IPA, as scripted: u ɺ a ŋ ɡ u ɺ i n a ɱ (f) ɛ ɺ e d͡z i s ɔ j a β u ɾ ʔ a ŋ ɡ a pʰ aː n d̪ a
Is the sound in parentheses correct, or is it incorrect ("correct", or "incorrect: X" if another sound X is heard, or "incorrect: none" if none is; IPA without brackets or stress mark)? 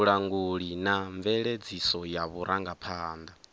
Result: incorrect: v